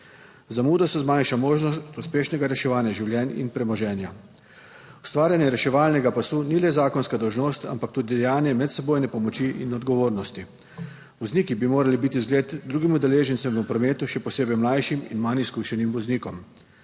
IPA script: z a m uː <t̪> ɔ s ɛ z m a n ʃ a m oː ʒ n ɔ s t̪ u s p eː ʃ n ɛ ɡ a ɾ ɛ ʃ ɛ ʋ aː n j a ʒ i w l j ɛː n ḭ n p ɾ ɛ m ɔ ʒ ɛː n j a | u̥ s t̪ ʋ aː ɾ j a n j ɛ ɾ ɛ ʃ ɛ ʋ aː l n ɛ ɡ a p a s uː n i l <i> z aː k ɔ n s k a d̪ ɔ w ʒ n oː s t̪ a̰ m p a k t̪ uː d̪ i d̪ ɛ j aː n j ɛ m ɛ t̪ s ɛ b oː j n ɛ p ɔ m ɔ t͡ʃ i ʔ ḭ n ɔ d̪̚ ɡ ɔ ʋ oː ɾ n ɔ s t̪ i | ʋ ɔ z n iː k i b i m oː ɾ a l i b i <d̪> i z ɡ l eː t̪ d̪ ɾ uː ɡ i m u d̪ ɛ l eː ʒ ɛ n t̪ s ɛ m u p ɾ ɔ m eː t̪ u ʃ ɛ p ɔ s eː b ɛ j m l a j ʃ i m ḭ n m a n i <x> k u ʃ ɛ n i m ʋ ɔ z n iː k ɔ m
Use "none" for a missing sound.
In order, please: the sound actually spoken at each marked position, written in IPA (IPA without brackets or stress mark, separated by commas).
d̪, ɛ, t̪, s